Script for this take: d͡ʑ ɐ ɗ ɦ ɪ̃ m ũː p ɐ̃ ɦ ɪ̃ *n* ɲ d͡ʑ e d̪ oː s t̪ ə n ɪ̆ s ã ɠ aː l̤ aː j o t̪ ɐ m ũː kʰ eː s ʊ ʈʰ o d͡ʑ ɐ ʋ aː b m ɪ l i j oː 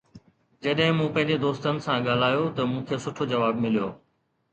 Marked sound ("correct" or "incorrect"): incorrect